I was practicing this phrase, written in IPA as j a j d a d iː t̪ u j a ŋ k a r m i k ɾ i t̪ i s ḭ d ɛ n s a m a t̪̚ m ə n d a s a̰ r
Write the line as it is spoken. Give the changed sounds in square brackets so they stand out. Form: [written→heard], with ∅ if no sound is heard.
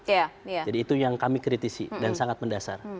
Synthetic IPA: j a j [d→d͡ʒ] a d iː t̪ u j a ŋ k a [r→∅] m i k ɾ i t̪ i s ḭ d [ɛ→a] n s a [m→ŋ] a t̪̚ m ə n d a s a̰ r